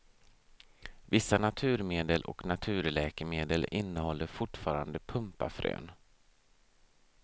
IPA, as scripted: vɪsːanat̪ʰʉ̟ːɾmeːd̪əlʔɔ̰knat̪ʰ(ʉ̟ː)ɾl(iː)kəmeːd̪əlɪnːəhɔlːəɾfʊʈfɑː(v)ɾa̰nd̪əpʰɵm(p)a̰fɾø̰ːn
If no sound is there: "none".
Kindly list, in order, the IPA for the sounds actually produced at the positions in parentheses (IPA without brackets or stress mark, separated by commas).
ʉ̟ː, ɛː, none, p